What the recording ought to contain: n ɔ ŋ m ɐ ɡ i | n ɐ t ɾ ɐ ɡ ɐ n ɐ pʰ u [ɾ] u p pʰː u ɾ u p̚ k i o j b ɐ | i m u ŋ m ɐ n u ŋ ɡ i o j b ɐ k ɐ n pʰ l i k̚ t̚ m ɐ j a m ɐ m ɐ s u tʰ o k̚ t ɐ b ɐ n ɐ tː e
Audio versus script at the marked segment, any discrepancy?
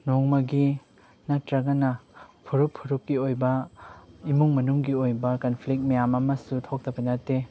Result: no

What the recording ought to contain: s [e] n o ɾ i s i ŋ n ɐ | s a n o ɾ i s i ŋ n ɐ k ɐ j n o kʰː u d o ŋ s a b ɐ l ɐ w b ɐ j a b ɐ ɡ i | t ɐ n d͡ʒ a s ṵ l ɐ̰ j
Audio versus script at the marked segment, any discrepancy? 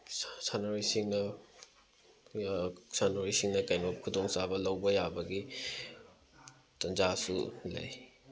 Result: yes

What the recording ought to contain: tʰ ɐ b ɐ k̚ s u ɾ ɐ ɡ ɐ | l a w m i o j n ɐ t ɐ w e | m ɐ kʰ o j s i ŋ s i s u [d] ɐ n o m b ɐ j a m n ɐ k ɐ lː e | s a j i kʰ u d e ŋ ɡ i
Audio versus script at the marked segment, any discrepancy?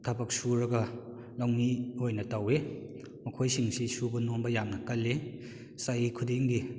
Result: yes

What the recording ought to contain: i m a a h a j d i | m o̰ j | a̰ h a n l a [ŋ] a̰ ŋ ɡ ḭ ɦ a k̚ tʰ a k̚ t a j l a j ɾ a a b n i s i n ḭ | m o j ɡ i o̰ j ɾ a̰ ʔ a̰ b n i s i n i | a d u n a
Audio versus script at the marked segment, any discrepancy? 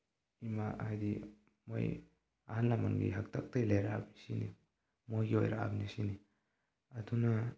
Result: yes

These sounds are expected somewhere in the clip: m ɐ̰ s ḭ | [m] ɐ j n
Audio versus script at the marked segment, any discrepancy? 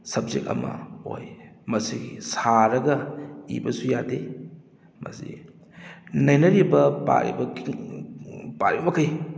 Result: yes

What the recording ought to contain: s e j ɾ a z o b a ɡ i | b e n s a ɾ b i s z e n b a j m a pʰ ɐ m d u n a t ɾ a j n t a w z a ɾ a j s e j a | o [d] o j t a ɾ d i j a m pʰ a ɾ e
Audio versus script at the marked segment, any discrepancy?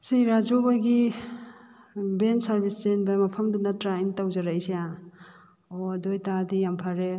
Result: no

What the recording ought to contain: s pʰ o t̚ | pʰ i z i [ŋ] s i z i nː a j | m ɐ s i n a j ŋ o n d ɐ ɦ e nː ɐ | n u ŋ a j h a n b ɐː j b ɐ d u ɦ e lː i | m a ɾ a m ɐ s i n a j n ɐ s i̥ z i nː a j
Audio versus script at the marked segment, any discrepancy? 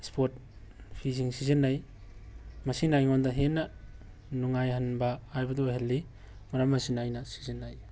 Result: no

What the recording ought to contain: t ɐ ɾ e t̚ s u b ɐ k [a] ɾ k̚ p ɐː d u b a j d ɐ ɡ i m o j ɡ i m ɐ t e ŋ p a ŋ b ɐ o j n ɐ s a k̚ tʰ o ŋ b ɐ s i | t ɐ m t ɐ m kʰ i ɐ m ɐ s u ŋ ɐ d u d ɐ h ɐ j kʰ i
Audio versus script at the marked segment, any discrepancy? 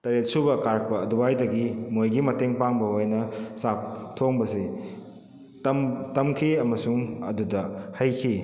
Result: no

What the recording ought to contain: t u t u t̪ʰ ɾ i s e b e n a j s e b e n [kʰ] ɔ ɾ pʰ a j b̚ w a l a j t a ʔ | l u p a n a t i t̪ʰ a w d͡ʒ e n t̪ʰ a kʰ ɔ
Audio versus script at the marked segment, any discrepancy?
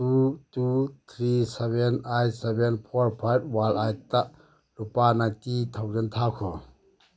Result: yes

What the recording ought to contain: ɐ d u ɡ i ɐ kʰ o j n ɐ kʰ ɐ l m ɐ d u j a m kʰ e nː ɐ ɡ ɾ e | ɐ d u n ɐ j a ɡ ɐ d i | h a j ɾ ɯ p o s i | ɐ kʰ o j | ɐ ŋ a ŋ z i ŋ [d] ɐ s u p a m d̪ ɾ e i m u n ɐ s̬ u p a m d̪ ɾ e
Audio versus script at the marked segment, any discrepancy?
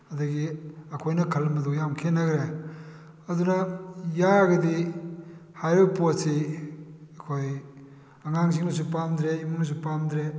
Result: yes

